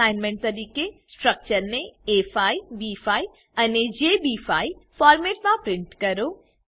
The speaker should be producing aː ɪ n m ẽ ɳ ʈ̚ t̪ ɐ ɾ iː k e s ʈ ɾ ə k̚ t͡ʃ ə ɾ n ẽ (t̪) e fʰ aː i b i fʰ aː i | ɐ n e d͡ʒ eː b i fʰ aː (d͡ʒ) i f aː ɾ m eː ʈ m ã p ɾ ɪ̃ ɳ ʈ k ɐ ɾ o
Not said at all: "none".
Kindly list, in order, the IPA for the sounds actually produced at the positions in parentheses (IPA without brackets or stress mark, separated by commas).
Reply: none, none